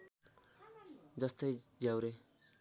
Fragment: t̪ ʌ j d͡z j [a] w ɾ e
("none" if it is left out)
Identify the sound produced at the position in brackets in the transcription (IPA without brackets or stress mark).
a